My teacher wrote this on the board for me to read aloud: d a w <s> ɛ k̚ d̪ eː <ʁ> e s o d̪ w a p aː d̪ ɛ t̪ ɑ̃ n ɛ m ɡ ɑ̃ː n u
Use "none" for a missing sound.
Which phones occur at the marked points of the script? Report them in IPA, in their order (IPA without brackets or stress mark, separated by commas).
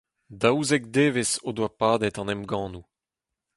z, v